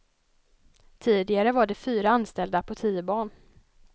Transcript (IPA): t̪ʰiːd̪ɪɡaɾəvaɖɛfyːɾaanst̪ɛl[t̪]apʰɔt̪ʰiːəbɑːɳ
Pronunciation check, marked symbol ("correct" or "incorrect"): incorrect